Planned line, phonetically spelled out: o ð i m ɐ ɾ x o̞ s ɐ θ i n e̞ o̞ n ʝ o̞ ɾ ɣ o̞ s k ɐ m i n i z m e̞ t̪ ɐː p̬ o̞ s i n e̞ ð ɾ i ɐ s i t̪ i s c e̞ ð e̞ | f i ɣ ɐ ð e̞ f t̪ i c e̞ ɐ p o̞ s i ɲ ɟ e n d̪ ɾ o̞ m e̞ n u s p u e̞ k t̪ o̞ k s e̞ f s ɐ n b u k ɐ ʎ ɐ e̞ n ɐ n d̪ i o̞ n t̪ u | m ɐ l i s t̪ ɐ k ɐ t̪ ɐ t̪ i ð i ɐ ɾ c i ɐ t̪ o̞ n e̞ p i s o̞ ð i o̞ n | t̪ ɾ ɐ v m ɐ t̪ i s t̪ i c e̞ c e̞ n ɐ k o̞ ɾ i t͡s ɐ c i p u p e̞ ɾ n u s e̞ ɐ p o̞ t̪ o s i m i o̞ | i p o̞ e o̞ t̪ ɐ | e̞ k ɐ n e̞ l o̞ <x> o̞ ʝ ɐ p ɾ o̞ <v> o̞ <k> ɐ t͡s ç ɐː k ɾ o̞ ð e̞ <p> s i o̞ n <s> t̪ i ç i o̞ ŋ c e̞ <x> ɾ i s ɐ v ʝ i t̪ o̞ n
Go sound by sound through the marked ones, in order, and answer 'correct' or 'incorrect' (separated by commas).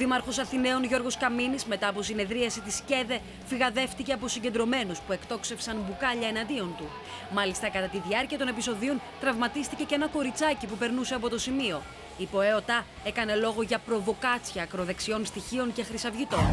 incorrect, correct, correct, incorrect, correct, correct